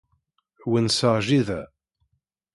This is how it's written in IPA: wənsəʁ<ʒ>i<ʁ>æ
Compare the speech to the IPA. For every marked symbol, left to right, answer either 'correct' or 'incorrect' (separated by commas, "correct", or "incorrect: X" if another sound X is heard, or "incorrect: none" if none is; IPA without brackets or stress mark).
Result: correct, incorrect: ð